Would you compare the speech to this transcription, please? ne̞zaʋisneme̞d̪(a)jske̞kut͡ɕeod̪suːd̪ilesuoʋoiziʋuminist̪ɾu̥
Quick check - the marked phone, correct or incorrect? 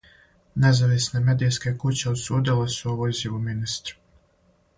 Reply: incorrect